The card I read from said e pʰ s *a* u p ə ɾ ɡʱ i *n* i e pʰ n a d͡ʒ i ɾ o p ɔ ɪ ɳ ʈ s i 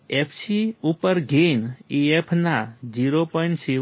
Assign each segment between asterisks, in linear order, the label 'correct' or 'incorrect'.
incorrect: i, correct

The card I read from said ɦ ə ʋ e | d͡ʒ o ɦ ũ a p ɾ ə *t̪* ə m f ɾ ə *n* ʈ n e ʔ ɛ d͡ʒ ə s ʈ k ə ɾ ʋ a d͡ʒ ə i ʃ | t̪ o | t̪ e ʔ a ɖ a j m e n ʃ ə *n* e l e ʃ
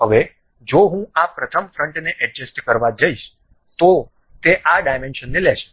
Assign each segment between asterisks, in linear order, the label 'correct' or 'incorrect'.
incorrect: t̪ʰ, incorrect: ɳ, incorrect: nː

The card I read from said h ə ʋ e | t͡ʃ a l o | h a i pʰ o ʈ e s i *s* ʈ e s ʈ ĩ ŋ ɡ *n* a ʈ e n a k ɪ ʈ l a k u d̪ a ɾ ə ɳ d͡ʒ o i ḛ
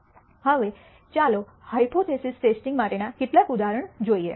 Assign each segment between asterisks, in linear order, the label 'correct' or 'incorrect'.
correct, incorrect: m

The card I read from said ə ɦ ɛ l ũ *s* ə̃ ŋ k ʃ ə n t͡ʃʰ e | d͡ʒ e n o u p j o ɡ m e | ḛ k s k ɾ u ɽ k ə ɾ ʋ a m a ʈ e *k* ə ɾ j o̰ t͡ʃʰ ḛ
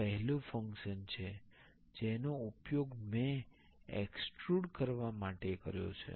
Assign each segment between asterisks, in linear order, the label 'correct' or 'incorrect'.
incorrect: f, correct

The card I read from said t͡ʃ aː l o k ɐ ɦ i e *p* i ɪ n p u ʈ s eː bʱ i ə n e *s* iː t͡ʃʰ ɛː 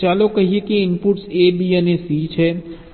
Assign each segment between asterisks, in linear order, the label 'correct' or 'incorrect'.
incorrect: k, correct

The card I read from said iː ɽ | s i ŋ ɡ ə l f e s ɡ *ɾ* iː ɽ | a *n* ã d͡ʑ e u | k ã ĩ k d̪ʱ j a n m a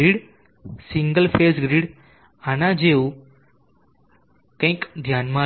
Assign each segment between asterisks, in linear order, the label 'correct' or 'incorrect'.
correct, correct

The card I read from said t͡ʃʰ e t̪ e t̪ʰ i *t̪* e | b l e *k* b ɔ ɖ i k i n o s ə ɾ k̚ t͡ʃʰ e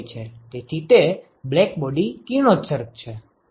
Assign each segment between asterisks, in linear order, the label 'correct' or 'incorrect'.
correct, correct

